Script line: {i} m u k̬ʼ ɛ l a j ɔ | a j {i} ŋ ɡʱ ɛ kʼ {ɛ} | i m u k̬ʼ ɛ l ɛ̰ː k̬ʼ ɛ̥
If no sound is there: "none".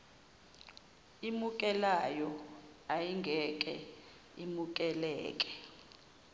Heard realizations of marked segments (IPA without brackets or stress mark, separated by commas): i, i, ɛ